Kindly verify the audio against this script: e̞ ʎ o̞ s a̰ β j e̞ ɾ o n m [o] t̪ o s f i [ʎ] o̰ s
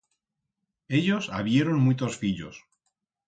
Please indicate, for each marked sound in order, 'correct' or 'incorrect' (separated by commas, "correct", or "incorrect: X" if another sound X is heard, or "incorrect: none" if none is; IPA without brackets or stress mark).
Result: incorrect: u, correct